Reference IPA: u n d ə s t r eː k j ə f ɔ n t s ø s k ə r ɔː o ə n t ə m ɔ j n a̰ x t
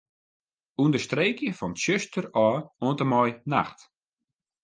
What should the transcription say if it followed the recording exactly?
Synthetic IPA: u n d ə s t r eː k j ə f ɔ n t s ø s t ə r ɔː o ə n t ə m ɔ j n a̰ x t